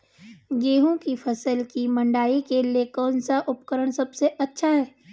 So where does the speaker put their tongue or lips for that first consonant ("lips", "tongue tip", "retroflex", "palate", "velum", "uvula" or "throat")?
velum